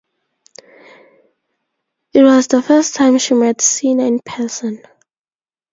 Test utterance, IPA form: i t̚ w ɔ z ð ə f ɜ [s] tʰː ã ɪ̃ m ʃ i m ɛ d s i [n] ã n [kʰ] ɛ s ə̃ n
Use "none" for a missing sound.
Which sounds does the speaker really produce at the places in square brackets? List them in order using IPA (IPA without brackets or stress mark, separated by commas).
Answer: s, n, pʰ